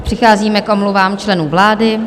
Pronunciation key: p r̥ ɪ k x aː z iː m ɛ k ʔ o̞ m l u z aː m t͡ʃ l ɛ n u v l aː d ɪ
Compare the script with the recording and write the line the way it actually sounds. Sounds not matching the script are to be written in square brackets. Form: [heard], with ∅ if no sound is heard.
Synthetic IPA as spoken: p r̥ ɪ [∅] x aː z iː m ɛ k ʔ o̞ m l u [v] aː m t͡ʃ l ɛ n [uː] v l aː d ɪ